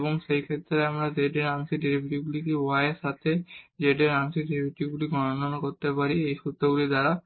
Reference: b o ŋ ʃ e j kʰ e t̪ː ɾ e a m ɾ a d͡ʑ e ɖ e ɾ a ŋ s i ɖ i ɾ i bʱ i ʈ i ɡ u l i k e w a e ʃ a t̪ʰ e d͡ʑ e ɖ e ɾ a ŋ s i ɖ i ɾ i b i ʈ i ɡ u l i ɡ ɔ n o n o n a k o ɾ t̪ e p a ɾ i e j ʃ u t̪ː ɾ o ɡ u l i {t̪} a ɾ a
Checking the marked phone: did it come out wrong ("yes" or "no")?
yes